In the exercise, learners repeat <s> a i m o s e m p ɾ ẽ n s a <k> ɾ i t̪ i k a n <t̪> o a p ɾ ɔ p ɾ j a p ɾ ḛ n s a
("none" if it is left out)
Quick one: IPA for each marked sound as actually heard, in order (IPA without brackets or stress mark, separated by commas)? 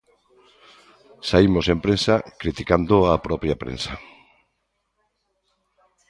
s, k, d̪